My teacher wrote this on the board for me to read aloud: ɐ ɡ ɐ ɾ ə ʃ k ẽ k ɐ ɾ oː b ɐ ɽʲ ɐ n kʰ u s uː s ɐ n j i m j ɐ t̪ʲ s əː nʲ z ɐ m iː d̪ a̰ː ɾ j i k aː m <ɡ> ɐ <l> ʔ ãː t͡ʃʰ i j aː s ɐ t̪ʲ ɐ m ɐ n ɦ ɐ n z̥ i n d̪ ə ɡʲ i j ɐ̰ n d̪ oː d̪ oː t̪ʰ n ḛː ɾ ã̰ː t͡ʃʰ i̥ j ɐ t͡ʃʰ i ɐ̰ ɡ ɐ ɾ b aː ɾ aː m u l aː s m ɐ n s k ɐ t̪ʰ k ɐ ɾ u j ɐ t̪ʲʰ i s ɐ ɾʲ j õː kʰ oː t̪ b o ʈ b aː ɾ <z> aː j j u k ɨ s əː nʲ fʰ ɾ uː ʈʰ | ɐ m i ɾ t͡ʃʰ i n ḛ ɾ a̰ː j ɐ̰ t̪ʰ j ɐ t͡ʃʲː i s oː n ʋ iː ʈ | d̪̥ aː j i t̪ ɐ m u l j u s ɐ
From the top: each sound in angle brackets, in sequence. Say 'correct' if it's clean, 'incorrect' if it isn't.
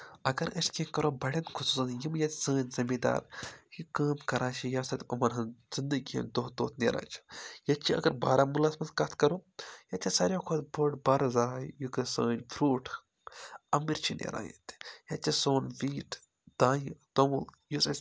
incorrect: k, incorrect: ɾ, correct

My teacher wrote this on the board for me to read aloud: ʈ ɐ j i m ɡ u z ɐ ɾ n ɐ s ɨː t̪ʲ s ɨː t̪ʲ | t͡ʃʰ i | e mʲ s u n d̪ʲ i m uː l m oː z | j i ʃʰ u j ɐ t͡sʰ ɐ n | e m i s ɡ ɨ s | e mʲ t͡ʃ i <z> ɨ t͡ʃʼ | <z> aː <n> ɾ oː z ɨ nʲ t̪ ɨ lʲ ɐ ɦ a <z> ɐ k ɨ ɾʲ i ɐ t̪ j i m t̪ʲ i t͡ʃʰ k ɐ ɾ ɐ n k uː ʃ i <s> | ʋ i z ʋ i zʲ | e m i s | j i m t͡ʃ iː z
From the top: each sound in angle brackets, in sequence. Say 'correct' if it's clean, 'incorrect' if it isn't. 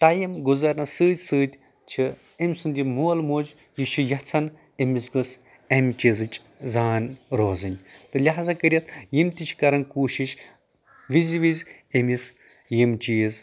correct, correct, correct, correct, incorrect: ʃ

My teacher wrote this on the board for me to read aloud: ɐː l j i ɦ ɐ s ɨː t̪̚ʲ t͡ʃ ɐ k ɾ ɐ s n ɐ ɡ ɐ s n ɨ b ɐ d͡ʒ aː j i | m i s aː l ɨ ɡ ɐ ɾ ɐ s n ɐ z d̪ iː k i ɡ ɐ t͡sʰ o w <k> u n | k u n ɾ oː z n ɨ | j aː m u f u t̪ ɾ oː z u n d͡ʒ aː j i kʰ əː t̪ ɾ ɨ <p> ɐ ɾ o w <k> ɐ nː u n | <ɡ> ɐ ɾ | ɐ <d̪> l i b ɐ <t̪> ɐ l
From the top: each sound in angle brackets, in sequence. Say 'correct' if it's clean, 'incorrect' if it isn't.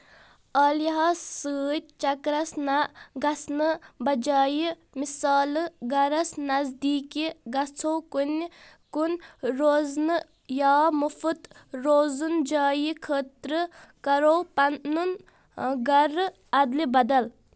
correct, incorrect: k, incorrect: p, correct, correct, incorrect: d̪

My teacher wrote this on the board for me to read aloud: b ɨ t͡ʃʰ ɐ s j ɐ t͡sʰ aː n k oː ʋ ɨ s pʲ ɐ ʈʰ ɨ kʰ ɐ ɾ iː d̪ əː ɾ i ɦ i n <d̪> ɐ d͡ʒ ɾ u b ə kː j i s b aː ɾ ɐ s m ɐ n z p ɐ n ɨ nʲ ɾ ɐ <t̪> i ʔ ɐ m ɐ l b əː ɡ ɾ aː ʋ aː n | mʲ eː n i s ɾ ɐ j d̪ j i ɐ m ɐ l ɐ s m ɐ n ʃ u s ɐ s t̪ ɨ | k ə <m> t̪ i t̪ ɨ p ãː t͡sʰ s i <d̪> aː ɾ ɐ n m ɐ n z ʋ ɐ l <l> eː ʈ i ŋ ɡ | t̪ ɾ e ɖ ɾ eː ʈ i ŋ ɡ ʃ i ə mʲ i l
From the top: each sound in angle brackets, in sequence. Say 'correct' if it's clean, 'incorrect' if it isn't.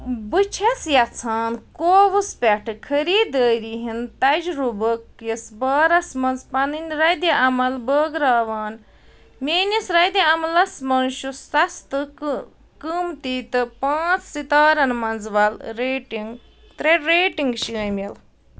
incorrect: t̪, incorrect: d̪, correct, incorrect: t̪, incorrect: ɾ

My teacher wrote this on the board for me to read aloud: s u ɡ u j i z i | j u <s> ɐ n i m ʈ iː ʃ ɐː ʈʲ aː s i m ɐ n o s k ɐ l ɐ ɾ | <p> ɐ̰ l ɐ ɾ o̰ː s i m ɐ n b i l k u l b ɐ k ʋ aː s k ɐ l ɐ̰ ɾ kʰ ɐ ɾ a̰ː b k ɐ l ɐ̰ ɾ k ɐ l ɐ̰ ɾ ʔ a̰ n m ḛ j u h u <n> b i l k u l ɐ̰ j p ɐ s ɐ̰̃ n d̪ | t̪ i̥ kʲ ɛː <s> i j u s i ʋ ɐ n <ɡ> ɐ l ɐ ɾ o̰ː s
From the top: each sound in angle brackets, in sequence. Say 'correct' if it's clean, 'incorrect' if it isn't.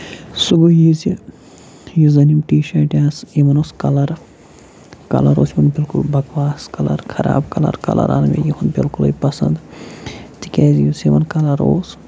incorrect: z, incorrect: k, correct, incorrect: z, incorrect: k

